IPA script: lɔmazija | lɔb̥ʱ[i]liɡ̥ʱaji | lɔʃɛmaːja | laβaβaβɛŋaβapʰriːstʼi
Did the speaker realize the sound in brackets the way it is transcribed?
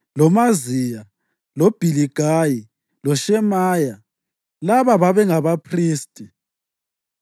yes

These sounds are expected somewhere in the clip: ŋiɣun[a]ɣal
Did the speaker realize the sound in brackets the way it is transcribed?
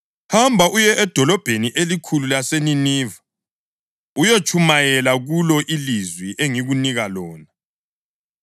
no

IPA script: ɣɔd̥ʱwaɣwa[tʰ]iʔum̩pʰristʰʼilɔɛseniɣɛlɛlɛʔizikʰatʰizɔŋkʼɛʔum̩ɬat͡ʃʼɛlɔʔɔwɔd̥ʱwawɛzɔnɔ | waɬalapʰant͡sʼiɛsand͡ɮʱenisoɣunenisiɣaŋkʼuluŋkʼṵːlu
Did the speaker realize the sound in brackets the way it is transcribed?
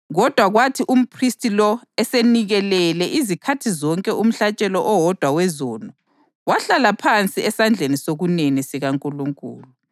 yes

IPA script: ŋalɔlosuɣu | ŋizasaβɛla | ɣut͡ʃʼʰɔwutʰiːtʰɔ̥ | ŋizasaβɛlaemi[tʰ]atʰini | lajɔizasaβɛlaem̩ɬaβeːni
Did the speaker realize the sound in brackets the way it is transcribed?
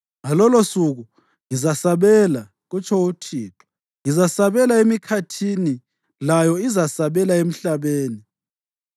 no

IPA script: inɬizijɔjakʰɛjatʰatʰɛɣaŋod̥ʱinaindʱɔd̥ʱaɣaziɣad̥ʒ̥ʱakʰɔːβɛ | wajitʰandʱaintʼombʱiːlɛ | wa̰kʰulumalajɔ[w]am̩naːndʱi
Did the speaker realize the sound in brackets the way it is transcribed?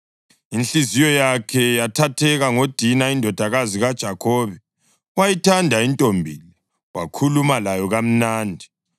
no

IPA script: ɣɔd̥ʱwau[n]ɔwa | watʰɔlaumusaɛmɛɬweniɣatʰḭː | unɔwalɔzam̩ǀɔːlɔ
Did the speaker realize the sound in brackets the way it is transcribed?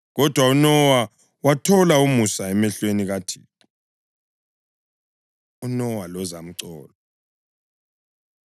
yes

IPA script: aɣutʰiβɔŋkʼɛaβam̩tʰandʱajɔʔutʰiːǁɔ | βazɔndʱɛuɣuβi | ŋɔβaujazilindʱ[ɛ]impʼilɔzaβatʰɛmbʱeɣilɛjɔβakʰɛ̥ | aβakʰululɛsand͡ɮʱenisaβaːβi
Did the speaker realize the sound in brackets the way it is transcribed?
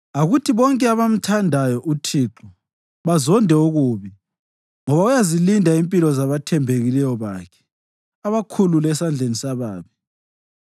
no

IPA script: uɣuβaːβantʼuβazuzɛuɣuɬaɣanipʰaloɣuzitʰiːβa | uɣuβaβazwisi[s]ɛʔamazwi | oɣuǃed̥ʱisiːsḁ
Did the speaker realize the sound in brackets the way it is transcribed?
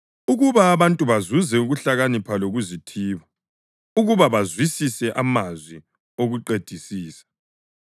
yes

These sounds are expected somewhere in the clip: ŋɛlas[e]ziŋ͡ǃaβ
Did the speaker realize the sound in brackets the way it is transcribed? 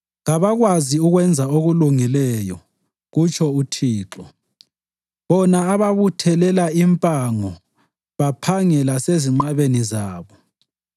yes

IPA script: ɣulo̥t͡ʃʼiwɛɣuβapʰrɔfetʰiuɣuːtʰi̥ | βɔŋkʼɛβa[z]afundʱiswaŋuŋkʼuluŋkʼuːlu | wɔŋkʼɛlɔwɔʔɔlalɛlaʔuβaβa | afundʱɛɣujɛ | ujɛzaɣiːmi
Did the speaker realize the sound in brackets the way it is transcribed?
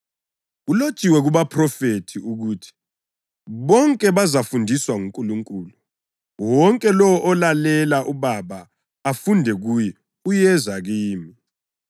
yes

